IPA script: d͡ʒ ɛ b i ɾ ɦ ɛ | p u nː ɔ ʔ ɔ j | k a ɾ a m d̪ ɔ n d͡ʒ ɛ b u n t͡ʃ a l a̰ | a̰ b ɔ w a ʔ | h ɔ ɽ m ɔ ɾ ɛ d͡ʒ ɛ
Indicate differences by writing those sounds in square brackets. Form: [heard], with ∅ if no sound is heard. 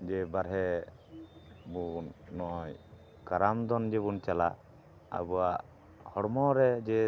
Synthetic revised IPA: d͡ʒ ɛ b [a] ɾ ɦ ɛ | [b] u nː ɔ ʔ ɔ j | k a ɾ a m d̪ ɔ n d͡ʒ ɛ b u n t͡ʃ a l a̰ | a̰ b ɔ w a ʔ | h ɔ ɽ m ɔ ɾ ɛ d͡ʒ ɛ